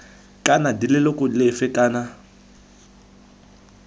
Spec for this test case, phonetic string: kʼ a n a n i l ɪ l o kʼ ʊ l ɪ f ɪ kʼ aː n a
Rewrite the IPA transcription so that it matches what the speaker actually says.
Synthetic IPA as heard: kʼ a n a d i l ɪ l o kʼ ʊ l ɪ f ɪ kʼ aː n a